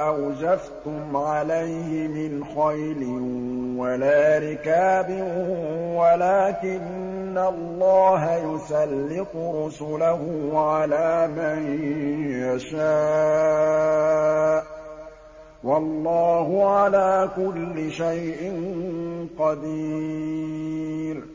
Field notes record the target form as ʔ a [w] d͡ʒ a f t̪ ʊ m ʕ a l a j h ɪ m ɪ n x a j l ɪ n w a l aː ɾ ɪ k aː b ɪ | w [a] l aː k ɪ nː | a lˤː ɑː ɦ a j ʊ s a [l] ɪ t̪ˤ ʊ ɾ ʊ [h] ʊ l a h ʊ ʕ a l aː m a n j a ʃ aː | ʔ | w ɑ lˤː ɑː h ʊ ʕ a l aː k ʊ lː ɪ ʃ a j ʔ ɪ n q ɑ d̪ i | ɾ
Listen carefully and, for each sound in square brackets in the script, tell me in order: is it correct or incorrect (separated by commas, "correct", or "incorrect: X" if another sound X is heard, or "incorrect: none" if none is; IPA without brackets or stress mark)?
correct, correct, incorrect: lː, incorrect: s